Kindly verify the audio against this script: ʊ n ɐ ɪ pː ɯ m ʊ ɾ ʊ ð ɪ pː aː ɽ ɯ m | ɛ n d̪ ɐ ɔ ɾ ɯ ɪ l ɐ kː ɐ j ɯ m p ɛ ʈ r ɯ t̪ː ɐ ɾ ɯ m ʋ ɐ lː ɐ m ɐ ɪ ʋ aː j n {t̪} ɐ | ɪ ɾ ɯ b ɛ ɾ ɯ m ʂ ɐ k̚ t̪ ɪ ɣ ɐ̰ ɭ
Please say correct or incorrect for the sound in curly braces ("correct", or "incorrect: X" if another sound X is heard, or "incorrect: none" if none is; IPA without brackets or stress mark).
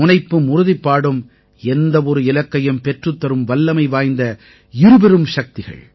incorrect: d̪